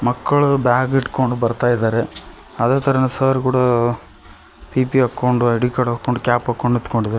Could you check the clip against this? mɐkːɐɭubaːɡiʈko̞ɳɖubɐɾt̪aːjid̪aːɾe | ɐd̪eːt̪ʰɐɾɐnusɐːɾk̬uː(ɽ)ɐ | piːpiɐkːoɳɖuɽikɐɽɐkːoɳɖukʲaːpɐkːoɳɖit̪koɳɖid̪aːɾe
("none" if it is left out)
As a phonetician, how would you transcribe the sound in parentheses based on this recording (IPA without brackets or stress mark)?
ɽ